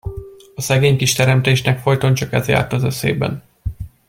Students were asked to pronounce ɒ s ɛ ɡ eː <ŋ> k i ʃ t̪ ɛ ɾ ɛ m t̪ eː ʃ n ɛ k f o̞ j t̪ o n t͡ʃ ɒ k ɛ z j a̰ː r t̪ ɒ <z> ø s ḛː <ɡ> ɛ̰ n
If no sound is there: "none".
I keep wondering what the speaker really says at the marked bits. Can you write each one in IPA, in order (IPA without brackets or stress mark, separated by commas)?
ɲ, z, b